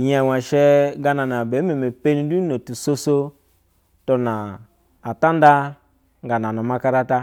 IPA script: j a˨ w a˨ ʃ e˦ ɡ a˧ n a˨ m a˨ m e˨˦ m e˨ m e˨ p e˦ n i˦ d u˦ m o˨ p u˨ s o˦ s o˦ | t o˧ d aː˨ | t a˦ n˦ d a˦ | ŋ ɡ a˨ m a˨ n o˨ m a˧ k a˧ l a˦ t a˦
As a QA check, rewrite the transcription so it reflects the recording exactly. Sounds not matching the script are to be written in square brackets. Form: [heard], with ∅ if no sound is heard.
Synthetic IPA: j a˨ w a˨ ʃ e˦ ɡ a˧ n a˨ [n] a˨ [b] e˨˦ m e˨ m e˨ p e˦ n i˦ d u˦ [n] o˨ [t] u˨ s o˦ s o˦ | t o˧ [n] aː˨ | t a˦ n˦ d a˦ | ŋ ɡ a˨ [n] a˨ n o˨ m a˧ k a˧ [ɾ] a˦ t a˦